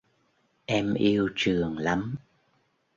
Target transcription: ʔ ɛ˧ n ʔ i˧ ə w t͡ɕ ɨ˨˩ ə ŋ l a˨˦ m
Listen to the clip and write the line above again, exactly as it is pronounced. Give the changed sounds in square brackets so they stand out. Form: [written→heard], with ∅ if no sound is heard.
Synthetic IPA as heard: ʔ ɛ˧ [n→m] ʔ i˧ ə w t͡ɕ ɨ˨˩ ə ŋ l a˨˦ m